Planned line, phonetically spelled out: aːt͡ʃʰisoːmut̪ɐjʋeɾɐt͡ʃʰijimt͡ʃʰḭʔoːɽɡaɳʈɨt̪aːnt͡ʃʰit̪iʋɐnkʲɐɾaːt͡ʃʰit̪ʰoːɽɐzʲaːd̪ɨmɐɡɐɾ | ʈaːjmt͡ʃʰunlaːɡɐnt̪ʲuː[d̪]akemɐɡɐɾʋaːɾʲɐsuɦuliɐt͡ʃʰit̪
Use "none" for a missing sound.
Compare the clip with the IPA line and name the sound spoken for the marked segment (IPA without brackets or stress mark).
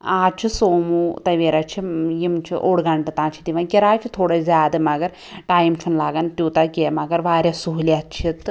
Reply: t̪